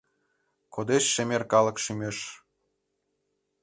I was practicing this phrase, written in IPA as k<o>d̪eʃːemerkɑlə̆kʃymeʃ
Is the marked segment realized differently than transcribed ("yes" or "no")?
no